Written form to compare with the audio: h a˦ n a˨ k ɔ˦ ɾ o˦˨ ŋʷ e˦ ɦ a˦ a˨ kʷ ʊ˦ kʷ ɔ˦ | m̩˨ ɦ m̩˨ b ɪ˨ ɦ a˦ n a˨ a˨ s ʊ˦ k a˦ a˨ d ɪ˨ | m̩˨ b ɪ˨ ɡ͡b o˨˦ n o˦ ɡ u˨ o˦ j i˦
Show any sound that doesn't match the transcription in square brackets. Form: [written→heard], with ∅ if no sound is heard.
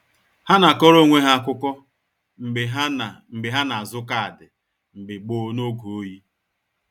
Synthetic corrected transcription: h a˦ n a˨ k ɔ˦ ɾ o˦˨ ŋʷ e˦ ɦ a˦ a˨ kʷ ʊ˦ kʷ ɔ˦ | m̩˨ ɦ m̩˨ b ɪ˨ ɦ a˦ n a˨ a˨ [s→z] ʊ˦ k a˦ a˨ d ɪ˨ | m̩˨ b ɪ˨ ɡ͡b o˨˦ n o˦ ɡ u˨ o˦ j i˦

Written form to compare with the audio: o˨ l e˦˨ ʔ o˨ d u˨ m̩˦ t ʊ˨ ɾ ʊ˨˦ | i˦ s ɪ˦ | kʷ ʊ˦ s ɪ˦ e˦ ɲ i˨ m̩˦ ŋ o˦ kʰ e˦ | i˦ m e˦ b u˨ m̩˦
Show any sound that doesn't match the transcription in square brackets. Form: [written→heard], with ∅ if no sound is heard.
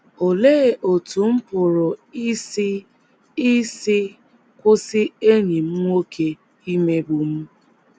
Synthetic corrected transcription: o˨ l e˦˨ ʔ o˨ [d→t] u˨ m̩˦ [t→p] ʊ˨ ɾ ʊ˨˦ | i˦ s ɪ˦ | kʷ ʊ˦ s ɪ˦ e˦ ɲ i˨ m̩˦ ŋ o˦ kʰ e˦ | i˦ m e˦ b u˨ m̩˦

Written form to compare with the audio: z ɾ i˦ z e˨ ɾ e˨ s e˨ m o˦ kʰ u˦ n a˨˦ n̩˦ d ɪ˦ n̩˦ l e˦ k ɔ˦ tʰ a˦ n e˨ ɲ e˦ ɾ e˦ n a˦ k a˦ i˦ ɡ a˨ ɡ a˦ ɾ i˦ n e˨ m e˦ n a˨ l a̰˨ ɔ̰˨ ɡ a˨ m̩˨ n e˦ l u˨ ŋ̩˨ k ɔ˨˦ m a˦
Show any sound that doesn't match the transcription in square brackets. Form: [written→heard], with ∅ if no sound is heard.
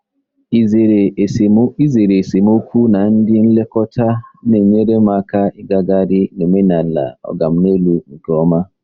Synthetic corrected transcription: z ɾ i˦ z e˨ ɾ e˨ s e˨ m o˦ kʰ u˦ n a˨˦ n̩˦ d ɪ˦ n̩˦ l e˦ k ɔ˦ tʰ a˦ n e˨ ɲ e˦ ɾ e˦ [n→m] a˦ k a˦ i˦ ɡ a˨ ɡ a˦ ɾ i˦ n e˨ m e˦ n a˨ l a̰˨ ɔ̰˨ ɡ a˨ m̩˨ n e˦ l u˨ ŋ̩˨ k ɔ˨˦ m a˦

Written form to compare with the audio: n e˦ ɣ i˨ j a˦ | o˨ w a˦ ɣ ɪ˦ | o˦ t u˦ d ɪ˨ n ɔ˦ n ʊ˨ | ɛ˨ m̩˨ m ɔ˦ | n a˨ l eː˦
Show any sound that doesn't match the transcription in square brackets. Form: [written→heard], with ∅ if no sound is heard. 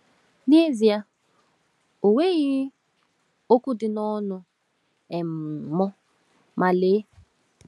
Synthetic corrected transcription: n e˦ [ɣ→z] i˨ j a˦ | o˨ w [a˦→e˦] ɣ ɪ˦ | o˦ [t→k] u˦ d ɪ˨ n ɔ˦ n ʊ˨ | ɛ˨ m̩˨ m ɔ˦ | [n→m] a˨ l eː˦

